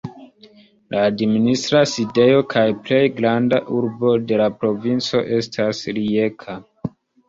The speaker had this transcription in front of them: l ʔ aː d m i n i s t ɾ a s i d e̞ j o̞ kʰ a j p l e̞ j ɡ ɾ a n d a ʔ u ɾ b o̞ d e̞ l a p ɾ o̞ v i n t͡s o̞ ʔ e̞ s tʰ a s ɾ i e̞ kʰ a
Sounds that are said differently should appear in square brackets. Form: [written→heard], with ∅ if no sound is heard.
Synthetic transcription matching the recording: l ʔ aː d m i n i s t ɾ a s i d e̞ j o̞ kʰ a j p l e̞ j ɡ ɾ a n d a ʔ u ɾ b o̞ d e̞ l a p ɾ o̞ v i n t͡s o̞ ʔ e̞ s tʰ a s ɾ i e̞ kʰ a